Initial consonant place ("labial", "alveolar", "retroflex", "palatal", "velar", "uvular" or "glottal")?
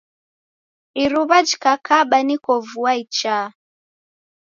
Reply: alveolar